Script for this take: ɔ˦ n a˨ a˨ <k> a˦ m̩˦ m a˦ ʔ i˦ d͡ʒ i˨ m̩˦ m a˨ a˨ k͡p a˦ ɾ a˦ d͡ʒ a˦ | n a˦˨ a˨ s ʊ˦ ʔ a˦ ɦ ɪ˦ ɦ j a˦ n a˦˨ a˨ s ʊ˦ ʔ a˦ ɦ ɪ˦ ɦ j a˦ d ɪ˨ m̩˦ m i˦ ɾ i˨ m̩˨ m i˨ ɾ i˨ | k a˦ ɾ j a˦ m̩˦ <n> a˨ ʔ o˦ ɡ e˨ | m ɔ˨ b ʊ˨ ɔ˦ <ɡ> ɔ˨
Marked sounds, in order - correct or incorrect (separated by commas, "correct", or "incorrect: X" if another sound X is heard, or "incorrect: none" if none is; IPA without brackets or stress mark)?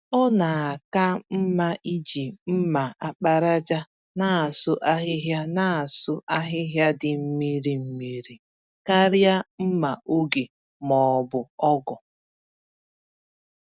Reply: correct, incorrect: m, correct